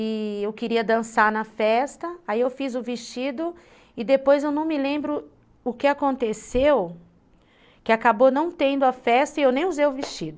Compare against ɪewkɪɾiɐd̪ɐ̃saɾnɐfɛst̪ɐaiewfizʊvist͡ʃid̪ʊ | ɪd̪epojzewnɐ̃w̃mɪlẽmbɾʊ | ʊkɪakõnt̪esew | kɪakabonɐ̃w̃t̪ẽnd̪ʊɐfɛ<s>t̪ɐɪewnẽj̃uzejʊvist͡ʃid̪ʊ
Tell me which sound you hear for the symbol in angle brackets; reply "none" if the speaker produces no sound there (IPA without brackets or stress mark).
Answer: s